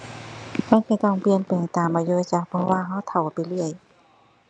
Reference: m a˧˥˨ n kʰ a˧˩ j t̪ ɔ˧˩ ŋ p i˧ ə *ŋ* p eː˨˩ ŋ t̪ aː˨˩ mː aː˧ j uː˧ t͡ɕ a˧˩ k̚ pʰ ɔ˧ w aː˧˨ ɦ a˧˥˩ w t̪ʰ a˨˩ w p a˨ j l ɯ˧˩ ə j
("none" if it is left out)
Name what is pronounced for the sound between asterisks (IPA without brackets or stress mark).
n